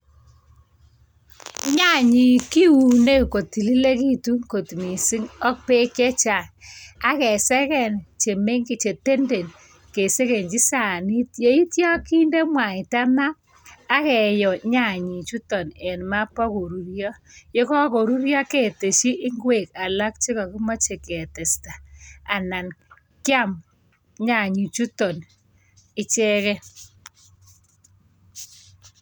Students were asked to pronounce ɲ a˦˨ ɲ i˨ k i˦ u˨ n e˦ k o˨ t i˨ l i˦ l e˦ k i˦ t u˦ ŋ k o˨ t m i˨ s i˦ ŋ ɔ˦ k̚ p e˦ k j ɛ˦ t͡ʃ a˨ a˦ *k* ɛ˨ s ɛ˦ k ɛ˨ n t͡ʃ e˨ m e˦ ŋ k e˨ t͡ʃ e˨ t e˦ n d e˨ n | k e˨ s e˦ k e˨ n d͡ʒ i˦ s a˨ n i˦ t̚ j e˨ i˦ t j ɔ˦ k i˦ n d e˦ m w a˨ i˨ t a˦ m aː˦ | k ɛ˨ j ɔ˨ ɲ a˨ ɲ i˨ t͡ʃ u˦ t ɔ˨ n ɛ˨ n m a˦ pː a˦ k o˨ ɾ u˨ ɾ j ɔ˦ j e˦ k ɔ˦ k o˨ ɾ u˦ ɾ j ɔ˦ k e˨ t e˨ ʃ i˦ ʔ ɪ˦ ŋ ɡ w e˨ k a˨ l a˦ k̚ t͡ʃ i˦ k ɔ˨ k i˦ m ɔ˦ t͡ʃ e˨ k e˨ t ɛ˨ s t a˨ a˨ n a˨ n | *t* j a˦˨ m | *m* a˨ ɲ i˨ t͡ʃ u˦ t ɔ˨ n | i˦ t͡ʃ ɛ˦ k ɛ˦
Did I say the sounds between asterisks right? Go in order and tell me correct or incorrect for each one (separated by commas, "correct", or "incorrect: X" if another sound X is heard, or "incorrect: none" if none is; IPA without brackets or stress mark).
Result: correct, incorrect: k, incorrect: ɲ